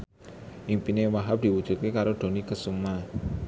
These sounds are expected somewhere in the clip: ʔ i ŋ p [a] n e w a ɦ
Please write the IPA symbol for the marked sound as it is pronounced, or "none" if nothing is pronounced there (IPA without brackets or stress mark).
i